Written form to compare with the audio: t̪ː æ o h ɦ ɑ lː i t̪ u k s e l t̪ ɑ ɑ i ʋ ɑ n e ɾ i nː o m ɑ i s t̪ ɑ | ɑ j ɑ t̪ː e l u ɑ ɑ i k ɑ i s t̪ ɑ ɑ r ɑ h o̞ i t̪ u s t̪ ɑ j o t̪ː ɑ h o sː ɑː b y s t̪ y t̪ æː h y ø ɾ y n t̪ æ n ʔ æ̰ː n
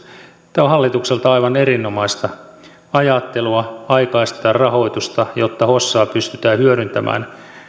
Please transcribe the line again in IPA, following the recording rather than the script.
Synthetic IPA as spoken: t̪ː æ o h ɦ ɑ lː i t̪ u k s e l t̪ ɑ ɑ i ʋ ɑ n e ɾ i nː o m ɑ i s t̪ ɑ | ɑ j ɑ t̪ː e l u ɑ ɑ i k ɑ i s t̪ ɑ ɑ r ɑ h o̞ i t̪ u s t̪ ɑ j o t̪ː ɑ h o sː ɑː p y s t̪ y t̪ æː h y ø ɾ y n t̪ æ m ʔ æ̰ː n